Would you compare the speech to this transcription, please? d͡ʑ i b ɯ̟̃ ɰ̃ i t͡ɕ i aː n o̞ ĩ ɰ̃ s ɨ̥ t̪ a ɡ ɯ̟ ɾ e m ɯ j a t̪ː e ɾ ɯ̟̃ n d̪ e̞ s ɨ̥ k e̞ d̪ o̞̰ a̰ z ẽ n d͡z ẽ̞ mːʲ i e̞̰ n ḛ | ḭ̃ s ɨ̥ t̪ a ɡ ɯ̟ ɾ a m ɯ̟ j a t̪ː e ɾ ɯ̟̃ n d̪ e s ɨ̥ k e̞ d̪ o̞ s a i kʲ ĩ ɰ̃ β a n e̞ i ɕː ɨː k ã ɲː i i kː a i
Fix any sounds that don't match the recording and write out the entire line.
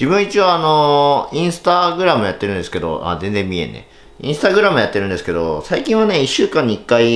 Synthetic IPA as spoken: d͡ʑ i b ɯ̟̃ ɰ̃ i t͡ɕ i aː n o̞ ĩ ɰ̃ s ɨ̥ t̪ a ɡ ɯ̟ ɾ a m ɯ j a t̪ː e ɾ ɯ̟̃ n d̪ e̞ s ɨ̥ k e̞ d̪ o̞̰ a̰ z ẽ n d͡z ẽ̞ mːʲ i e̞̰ n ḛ | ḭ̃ s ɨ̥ t̪ a ɡ ɯ̟ ɾ a m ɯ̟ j a t̪ː e ɾ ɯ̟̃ n d̪ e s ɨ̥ k e̞ d̪ o̞ s a i kʲ ĩ ɰ̃ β a n e̞ i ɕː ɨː k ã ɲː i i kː a i